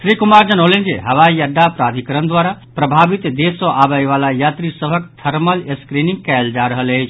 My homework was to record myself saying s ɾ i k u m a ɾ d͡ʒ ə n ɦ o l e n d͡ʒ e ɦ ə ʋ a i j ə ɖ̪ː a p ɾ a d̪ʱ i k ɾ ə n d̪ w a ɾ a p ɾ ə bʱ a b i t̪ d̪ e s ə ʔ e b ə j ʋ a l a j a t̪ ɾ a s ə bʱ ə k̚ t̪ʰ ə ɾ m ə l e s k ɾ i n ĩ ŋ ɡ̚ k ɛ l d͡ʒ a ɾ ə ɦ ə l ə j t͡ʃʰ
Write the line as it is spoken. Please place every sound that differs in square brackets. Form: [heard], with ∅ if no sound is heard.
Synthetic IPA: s ɾ i k u m a ɾ d͡ʒ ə n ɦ o l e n d͡ʒ e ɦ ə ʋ a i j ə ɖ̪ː a p ɾ a d̪ʱ i k ɾ ə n d̪ w a ɾ a p ɾ ə bʱ a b i t̪ d̪ e s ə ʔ [a] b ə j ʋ a l a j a t̪ ɾ [i] s ə bʱ ə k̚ t̪ʰ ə ɾ m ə l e s k ɾ i n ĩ ŋ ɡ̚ k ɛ l d͡ʒ a ɾ ə ɦ ə l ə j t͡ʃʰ